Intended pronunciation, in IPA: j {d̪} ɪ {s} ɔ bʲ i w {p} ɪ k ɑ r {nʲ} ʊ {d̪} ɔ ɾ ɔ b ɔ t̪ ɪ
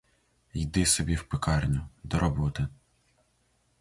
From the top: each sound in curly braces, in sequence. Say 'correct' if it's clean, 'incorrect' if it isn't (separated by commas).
correct, correct, correct, correct, correct